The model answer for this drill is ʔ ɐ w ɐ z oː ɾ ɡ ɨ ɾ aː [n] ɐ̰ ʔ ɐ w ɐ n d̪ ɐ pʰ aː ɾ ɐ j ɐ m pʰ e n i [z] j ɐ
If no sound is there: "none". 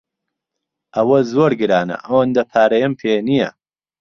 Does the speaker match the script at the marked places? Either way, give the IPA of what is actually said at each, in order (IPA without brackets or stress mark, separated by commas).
n, none